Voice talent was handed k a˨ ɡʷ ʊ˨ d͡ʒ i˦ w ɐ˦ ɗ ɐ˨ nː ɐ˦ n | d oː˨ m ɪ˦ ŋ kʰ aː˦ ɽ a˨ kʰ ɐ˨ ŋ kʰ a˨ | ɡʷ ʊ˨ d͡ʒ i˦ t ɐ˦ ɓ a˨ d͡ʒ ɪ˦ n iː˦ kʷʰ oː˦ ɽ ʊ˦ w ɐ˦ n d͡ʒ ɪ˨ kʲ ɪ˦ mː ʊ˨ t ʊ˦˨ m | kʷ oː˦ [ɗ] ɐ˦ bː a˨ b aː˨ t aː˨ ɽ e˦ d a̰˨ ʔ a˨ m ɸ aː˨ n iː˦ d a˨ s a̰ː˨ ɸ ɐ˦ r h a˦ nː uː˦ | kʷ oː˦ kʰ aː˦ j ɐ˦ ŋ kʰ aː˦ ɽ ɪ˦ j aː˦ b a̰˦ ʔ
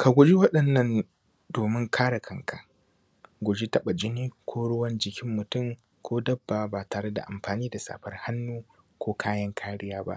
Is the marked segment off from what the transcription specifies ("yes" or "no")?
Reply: yes